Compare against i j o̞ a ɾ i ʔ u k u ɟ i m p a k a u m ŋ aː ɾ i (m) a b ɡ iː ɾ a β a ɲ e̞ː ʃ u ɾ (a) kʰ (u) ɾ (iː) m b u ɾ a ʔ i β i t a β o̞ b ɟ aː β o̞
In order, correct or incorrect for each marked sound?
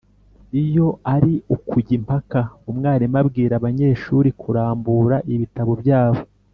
correct, incorrect: i, correct, incorrect: aː

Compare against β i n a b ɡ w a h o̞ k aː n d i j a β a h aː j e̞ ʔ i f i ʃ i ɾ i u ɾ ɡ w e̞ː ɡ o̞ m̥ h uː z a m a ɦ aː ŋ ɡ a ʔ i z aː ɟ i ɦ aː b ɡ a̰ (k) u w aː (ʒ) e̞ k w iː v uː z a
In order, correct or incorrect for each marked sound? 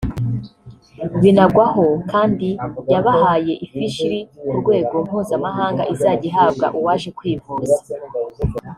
incorrect: ʔ, incorrect: ʃ

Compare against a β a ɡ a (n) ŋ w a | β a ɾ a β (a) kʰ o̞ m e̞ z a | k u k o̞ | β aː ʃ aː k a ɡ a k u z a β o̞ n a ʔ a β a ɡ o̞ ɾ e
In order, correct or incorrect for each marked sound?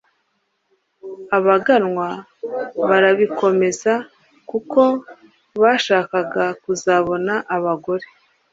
correct, incorrect: i

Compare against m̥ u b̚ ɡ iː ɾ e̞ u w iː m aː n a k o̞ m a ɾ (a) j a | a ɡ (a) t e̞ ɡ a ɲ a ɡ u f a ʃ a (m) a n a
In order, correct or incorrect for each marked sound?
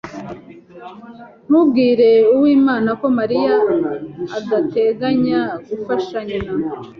incorrect: i, correct, incorrect: ɲ

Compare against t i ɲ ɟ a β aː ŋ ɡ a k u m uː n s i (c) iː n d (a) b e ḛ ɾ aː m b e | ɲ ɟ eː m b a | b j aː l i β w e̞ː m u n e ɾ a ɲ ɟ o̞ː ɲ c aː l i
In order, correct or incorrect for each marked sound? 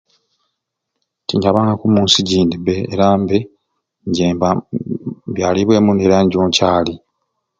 incorrect: ɟ, incorrect: i

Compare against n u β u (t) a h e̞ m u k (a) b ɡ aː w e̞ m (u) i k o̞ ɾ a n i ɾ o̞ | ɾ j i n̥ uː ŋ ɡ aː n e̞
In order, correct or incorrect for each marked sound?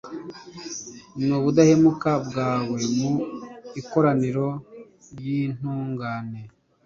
incorrect: d, correct, correct

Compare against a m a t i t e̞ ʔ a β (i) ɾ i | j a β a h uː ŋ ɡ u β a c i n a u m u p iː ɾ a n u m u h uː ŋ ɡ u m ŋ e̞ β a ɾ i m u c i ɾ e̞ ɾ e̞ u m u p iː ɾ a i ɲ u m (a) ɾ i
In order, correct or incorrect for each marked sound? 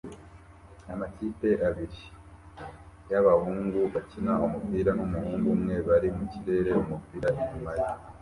correct, correct

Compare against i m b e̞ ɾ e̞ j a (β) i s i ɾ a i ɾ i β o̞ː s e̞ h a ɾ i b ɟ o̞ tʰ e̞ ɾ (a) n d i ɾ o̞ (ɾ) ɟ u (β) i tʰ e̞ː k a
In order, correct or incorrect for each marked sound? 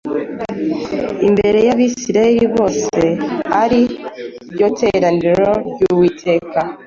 correct, correct, correct, incorrect: w

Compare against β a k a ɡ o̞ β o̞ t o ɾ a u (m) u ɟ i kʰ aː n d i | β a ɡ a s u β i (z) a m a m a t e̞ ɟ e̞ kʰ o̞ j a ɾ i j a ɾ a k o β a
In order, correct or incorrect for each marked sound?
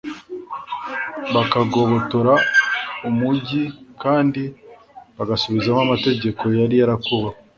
correct, correct

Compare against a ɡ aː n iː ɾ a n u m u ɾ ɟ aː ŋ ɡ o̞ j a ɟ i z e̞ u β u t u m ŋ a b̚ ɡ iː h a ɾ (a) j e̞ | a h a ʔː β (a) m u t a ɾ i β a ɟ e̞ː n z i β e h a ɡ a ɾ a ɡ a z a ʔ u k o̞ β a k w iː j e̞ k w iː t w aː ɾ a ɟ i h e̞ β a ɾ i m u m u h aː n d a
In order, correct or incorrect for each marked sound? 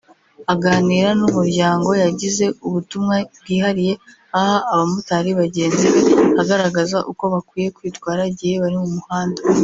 incorrect: i, correct

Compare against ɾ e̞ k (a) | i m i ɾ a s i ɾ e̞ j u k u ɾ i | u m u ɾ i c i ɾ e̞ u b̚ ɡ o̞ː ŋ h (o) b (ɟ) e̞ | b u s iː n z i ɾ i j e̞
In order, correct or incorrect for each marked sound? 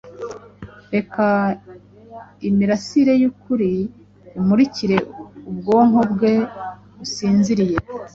correct, correct, incorrect: ɡ

